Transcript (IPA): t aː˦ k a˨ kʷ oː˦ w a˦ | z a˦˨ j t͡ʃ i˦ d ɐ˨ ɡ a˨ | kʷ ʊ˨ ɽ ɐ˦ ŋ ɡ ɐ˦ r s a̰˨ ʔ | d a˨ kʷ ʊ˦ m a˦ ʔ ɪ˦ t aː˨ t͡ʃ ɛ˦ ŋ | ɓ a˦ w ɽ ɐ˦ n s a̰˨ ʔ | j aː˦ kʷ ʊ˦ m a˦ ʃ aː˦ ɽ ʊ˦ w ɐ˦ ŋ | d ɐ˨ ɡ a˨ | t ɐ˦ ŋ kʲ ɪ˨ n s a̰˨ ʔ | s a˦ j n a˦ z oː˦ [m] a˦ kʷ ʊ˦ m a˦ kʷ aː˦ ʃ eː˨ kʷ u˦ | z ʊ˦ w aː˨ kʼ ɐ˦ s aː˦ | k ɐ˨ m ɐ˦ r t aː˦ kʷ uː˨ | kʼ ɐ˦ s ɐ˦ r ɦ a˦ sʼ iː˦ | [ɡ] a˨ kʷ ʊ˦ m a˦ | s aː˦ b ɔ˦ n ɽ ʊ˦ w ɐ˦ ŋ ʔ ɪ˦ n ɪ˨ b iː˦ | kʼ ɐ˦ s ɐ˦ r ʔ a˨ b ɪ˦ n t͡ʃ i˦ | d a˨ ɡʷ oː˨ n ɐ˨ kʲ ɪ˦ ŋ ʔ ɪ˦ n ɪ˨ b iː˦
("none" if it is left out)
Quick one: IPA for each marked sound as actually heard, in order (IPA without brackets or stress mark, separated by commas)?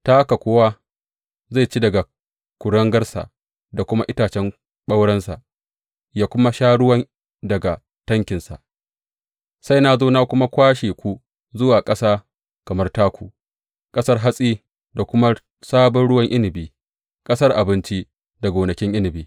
n, d